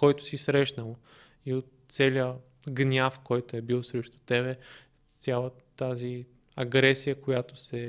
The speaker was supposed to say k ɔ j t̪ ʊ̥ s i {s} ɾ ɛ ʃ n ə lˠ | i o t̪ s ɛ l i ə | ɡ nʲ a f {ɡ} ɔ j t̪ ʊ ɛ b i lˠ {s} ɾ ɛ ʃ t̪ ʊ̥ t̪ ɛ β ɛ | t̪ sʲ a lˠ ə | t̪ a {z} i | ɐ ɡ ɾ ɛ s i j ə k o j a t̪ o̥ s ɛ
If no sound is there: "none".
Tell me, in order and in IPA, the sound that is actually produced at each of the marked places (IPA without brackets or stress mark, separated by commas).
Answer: s, k, s, z